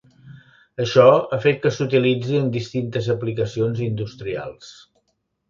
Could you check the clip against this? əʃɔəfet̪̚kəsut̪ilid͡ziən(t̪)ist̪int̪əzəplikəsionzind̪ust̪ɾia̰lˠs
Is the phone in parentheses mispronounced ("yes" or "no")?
yes